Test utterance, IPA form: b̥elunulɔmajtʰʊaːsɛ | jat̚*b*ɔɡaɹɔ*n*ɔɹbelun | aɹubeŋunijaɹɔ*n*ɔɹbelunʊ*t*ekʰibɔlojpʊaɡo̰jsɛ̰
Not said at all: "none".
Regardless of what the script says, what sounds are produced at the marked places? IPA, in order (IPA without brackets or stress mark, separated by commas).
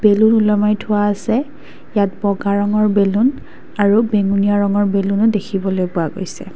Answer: b, ŋ, ŋ, d